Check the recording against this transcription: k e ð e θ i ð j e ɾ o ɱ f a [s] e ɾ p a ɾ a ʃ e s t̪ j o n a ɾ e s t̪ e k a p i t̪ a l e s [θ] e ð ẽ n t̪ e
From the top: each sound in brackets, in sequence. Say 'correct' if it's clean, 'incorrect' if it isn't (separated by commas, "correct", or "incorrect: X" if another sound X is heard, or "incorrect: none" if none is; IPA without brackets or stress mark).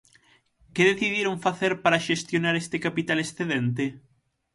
incorrect: θ, correct